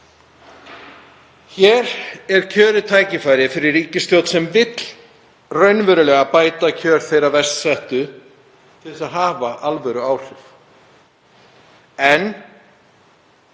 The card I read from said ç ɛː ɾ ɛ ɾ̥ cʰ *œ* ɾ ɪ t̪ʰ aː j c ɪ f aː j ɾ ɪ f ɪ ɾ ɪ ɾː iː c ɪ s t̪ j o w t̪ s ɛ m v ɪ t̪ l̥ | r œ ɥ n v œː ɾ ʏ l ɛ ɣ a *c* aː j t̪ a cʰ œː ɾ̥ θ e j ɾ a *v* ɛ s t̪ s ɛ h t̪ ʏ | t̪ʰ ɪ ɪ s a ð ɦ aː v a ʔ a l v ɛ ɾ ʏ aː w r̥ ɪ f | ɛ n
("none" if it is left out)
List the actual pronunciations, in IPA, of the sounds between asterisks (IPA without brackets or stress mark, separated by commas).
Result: œː, p, v